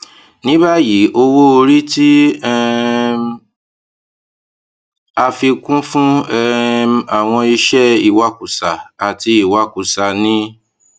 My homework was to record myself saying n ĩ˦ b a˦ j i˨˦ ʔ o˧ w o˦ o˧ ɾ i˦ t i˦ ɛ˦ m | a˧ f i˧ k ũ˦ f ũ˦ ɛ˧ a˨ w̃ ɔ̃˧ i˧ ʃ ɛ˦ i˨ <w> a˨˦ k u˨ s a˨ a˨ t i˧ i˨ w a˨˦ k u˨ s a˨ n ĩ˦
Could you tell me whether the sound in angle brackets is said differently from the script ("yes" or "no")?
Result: no